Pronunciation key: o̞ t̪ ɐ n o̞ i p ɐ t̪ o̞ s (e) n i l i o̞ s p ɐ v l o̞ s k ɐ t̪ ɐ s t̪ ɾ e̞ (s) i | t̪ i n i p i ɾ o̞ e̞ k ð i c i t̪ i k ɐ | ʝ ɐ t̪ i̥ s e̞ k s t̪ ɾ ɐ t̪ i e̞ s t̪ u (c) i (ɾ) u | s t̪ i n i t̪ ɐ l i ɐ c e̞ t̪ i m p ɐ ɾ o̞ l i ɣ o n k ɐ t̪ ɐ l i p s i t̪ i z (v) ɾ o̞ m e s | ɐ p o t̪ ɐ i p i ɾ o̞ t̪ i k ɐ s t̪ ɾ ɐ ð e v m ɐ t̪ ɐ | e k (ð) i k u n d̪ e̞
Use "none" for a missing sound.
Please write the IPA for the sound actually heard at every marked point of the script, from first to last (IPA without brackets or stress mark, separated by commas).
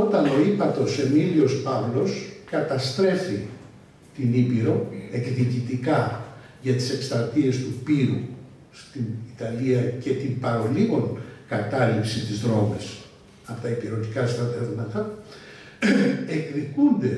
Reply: e, f, p, ɾ, ð, ð